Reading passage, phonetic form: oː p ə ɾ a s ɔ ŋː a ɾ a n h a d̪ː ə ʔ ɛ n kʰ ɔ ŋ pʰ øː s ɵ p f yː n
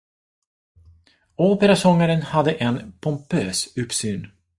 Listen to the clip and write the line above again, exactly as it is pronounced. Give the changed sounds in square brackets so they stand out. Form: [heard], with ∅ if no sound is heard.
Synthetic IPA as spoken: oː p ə ɾ a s ɔ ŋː a ɾ [ə] n h a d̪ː ə ʔ ɛ n [pʰ] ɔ [m] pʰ øː s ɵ p [s] yː n